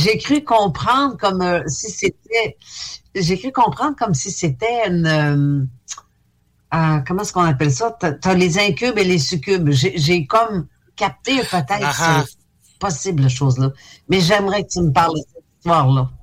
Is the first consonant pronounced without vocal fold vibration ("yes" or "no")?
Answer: no